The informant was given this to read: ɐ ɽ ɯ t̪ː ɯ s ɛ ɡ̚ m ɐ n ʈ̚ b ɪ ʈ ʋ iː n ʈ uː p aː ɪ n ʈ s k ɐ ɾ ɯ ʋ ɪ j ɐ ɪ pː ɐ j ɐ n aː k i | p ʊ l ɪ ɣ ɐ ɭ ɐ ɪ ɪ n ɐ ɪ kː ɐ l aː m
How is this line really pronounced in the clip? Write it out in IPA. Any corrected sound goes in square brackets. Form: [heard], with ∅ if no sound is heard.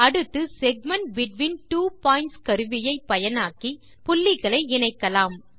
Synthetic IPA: ɐ ɽ ɯ t̪ː ɯ s ɛ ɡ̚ m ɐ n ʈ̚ b ɪ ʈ ʋ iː n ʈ uː p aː ɪ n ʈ s k ɐ ɾ ɯ ʋ ɪ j ɐ ɪ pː ɐ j ɐ n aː k i | p ʊ [lː] ɪ ɣ ɐ ɭ ɐ ɪ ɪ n ɐ ɪ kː ɐ l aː m

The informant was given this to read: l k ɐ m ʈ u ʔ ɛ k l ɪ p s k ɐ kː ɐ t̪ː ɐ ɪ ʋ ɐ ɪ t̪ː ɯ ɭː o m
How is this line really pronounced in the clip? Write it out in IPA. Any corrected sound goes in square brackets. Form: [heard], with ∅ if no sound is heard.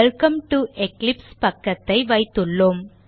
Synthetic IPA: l k ɐ m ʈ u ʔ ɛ k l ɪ p s [p] ɐ kː ɐ t̪ː ɐ ɪ ʋ ɐ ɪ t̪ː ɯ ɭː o m

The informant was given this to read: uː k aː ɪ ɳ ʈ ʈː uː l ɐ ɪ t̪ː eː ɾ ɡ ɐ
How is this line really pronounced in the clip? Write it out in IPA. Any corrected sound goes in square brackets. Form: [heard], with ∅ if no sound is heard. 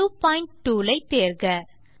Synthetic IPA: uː [p] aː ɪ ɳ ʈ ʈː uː l ɐ ɪ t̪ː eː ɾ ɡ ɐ

